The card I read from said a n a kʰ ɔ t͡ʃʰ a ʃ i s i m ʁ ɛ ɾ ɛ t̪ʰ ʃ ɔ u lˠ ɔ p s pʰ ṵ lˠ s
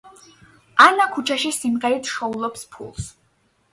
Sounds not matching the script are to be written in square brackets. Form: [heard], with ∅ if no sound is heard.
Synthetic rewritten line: a n a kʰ [u] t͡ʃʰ a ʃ i s i m ʁ ɛ ɾ [i] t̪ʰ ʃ ɔ u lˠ ɔ p s pʰ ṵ lˠ s